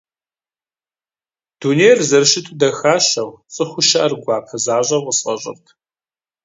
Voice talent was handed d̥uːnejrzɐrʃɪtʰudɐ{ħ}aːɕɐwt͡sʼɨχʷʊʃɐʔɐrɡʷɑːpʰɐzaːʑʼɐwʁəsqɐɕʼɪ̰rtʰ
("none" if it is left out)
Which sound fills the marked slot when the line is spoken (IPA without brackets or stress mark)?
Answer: x